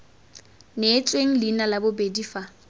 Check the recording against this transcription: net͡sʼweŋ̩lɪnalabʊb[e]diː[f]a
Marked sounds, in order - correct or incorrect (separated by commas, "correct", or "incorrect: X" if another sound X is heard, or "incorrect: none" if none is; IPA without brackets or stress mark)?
correct, correct